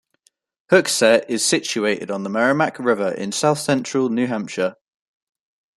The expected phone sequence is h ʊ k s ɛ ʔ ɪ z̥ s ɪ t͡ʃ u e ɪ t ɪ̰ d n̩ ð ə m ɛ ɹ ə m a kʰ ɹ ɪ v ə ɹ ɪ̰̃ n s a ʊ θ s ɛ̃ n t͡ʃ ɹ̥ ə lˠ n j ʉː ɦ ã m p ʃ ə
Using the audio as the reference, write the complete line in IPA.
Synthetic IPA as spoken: h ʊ k s ɛ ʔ ɪ z̥ s ɪ t͡ʃ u e ɪ t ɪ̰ d n̩ ð ə m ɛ ɹ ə m a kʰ ɹ ɪ v ə ɹ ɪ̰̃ n s a ʊ θ s ɛ̃ n t͡ʃ ɹ̥ ə lˠ n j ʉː ɦ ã m p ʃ ə